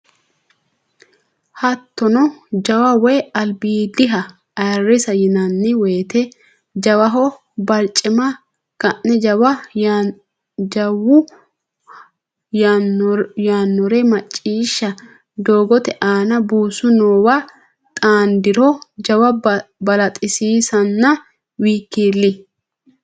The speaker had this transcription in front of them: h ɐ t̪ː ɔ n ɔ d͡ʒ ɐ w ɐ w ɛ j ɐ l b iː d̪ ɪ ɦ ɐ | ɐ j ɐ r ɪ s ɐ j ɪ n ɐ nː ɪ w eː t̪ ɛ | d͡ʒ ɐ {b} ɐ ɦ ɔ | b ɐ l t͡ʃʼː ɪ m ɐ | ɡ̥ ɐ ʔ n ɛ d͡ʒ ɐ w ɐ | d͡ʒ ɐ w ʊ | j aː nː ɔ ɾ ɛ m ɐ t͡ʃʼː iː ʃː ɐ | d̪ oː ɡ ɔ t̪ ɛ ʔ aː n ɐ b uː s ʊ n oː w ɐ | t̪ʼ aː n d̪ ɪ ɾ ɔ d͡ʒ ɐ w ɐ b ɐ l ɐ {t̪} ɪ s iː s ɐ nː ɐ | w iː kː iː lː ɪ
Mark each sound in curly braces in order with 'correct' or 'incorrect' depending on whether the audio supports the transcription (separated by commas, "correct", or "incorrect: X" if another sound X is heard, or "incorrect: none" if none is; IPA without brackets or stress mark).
incorrect: w, incorrect: t̪ʼ